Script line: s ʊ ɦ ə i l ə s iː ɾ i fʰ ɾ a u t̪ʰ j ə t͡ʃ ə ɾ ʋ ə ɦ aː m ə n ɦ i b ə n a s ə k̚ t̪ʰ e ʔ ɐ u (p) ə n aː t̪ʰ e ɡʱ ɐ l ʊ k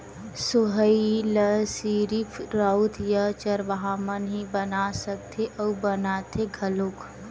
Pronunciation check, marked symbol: incorrect: b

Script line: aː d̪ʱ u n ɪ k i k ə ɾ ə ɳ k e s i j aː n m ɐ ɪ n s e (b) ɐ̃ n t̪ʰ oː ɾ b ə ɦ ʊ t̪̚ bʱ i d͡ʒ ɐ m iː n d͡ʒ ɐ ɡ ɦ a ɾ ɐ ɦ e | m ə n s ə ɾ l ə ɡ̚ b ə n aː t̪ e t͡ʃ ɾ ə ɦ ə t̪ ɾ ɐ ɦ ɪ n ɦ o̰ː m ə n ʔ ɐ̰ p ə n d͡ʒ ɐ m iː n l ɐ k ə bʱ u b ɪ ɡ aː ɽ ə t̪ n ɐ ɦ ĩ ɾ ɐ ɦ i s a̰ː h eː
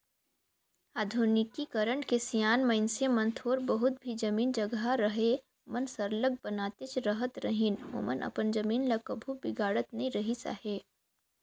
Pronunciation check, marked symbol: incorrect: m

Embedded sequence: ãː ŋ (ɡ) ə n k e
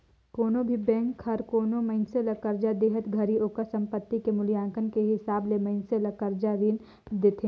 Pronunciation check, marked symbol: incorrect: k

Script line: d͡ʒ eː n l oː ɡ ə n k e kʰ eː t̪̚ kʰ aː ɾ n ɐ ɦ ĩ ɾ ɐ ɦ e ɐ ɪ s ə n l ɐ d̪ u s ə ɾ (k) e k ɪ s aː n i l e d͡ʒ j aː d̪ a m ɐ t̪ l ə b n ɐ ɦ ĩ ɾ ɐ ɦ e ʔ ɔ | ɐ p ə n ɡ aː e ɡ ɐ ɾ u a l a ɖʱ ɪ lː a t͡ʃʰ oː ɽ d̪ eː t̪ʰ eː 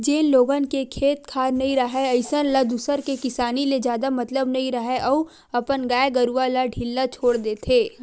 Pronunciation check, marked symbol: correct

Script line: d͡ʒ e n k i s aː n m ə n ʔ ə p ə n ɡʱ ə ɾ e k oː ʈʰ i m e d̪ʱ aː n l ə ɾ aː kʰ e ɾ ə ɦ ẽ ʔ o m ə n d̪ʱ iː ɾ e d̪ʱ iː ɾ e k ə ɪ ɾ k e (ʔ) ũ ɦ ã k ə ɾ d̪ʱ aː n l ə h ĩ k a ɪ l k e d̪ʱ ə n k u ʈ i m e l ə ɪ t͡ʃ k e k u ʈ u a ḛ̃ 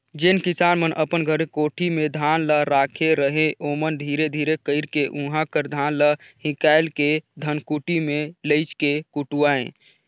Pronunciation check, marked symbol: correct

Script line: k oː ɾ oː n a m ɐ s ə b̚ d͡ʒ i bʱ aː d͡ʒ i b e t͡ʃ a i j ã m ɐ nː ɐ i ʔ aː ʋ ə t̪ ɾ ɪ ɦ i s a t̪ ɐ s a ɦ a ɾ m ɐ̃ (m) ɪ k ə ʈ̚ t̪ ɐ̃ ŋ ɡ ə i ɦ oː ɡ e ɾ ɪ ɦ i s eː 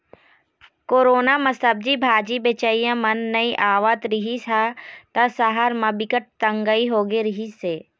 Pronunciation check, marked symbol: incorrect: b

